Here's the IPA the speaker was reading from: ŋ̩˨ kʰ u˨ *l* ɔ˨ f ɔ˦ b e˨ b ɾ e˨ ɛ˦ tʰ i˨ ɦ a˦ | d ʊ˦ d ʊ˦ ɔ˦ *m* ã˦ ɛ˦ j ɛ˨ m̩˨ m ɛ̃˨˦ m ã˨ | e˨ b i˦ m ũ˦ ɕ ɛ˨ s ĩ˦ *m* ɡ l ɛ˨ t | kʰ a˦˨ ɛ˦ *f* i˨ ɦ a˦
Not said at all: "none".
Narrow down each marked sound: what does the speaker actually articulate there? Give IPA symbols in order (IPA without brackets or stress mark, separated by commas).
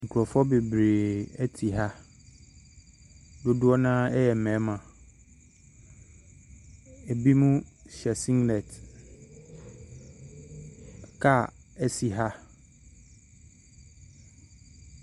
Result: ɾ, n, ŋ, s